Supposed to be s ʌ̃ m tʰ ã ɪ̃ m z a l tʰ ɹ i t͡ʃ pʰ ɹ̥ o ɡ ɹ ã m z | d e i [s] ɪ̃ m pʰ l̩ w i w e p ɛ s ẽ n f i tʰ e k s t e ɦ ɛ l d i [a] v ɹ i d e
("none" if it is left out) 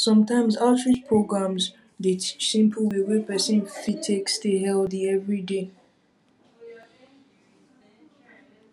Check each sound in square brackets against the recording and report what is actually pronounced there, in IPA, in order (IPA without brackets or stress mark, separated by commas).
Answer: s, ɛ